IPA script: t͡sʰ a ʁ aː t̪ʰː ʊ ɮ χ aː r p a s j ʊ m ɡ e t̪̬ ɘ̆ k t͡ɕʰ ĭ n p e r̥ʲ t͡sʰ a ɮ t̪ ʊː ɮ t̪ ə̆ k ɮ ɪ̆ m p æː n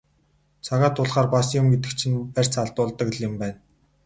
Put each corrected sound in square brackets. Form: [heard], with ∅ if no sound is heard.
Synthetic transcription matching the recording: t͡sʰ a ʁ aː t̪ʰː ʊ ɮ χ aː r p a s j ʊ m ɡ e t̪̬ ɘ̆ k t͡ɕʰ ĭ n p [æ] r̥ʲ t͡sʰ a ɮ t̪ ʊː ɮ t̪ ə̆ k ɮ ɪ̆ m p æː n